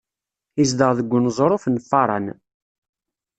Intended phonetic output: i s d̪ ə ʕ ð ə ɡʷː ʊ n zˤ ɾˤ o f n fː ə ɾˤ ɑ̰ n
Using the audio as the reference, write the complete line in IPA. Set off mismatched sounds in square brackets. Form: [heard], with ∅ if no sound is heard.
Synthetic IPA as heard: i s d̪ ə [ʁ] ð ə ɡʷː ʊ n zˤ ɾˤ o f n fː [ɑ] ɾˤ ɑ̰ n